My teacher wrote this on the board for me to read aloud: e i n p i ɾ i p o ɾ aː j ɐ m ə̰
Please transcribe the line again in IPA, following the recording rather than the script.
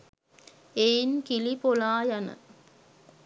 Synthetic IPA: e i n k i l i p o l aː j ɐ n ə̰